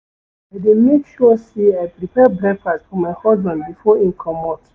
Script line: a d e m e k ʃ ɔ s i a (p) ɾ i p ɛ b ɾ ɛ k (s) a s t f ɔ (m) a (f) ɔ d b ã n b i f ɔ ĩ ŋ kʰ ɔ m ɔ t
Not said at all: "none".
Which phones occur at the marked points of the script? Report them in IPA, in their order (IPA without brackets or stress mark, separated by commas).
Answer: p, f, m, h